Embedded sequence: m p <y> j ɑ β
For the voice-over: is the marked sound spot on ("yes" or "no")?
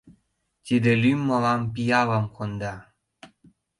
no